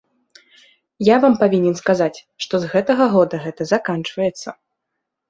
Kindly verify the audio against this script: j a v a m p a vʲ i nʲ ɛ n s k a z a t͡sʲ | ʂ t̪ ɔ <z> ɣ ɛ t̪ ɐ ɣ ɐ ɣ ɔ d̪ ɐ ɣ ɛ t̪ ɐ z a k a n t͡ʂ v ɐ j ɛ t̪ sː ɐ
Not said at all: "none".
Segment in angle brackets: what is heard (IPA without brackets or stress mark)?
z